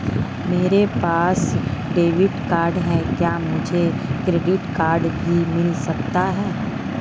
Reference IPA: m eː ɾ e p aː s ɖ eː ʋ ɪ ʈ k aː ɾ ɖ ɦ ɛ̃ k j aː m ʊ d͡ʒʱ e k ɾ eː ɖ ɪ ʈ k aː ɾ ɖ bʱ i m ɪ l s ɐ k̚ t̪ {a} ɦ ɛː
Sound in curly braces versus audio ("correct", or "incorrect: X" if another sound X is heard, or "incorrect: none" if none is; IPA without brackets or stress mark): correct